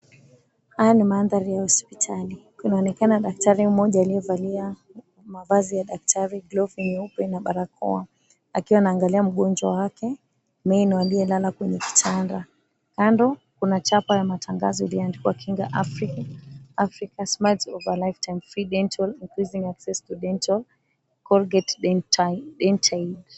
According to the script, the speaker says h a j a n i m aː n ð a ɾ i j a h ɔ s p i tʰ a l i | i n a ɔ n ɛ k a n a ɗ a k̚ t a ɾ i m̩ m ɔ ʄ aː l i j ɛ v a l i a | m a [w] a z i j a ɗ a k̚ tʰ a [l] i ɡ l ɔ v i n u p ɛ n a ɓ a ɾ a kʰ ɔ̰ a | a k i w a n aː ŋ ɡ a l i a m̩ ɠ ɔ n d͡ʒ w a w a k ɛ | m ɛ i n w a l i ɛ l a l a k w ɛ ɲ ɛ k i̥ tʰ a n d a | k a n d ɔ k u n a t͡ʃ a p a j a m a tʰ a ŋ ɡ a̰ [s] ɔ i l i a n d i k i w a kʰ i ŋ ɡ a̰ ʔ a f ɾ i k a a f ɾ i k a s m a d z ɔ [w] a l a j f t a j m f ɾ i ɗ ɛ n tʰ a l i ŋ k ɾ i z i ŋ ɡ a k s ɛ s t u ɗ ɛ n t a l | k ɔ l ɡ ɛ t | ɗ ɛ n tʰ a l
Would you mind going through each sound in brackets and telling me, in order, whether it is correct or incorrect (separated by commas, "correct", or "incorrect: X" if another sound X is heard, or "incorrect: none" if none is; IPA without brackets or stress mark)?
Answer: incorrect: v, incorrect: ɾ, incorrect: z, incorrect: v